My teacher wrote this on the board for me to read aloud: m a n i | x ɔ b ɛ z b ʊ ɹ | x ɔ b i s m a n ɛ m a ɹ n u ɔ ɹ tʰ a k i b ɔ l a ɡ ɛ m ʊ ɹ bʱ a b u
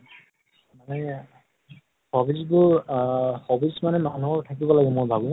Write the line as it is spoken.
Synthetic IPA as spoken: m a n ɛ | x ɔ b i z b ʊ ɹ | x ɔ b i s m a n ɛ m a n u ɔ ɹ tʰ a k i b ɔ l a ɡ ɛ m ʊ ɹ bʱ a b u